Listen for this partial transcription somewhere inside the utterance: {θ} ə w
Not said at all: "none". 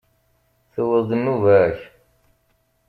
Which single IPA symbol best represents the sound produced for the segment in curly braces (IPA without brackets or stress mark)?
θ